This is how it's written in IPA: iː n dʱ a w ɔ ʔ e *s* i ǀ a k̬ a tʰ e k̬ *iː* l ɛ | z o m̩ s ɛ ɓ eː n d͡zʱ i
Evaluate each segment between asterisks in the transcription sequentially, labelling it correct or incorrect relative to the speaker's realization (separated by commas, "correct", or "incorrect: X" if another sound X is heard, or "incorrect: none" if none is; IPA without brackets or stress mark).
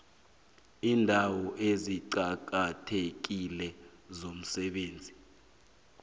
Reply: incorrect: z, incorrect: i